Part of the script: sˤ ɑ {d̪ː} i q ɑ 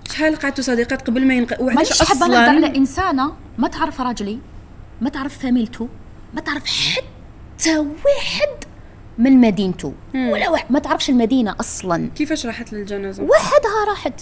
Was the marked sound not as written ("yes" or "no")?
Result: yes